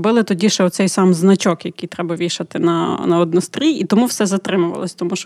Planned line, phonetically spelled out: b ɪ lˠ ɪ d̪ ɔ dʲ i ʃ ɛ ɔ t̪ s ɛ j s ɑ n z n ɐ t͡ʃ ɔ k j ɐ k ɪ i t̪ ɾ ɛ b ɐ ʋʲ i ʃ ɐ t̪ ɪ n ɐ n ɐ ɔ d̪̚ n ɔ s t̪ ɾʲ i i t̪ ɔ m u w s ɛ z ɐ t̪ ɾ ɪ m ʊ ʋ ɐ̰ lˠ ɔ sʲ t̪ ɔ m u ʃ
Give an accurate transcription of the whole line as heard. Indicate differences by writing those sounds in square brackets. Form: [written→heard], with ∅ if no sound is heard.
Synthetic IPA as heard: b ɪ lˠ ɪ [d̪→t̪] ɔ dʲ i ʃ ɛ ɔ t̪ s ɛ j s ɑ [n→m] z n ɐ t͡ʃ ɔ k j ɐ k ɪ [i→j] t̪ ɾ ɛ b ɐ ʋʲ i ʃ ɐ t̪ ɪ n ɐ n ɐ ɔ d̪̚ n ɔ s t̪ ɾʲ i i t̪ ɔ m u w s ɛ z ɐ t̪ ɾ ɪ m ʊ ʋ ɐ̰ lˠ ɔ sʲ t̪ ɔ m u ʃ